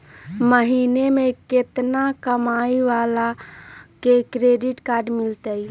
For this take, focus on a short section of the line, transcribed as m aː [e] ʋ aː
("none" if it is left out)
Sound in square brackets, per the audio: i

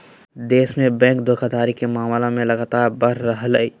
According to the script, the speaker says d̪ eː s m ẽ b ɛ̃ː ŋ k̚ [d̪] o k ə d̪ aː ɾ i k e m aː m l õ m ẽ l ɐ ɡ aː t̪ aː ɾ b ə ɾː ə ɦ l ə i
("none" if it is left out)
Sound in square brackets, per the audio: d̪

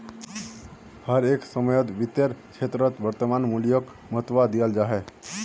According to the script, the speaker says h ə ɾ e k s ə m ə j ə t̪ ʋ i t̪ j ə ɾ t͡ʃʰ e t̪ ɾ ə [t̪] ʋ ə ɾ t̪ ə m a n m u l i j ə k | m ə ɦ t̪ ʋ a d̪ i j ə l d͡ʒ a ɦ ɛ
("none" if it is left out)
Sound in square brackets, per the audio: t̪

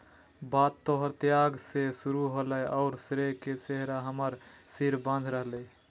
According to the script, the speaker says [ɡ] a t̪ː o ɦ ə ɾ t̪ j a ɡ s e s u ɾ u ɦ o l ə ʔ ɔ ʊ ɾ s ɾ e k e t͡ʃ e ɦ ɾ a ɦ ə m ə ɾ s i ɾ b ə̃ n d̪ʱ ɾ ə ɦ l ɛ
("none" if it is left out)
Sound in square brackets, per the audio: b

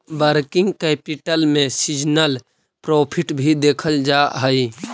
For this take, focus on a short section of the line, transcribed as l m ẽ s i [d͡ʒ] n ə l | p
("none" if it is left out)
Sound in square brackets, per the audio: d͡ʒ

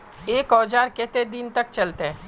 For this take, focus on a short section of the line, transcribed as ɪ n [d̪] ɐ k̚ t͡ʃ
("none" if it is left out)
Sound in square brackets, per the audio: t̪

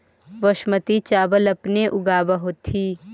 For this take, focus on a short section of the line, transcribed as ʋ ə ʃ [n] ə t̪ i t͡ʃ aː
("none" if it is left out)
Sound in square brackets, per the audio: m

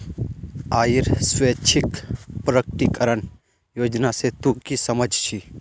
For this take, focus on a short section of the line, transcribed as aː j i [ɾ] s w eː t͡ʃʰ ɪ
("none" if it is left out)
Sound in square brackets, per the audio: ɾ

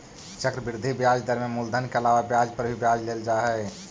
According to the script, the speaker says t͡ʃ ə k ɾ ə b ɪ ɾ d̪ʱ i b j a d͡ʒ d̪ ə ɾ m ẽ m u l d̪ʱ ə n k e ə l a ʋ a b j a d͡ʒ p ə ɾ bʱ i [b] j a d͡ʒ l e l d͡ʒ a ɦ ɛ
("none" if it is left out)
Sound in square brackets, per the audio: b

